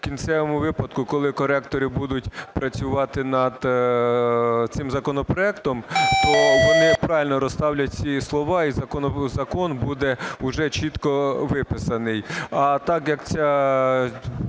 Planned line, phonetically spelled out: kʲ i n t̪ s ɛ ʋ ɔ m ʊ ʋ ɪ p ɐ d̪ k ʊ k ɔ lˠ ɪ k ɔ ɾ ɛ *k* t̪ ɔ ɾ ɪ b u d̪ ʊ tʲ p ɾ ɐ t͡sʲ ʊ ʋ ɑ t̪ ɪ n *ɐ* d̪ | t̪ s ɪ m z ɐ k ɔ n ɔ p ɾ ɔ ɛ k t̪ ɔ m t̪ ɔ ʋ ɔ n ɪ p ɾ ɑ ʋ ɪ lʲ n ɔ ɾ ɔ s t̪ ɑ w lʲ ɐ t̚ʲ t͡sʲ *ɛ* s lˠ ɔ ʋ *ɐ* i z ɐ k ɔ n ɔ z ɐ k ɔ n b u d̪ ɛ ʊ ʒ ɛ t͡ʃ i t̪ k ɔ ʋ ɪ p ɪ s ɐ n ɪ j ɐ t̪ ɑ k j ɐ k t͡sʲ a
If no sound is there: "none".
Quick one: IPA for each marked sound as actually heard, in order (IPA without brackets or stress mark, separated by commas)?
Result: k, ɐ, i, ɑ